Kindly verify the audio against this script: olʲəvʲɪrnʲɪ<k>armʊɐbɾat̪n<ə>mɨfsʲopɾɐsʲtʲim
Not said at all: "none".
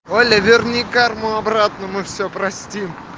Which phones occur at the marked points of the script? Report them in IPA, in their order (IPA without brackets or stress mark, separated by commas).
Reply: k, ə